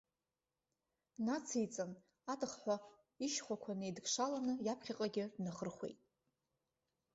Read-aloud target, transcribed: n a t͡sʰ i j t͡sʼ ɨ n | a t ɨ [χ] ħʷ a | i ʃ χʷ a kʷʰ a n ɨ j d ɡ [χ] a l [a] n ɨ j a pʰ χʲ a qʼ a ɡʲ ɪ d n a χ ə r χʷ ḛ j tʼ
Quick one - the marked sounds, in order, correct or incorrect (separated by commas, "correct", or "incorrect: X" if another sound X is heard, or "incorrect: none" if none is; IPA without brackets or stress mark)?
correct, incorrect: ʂ, correct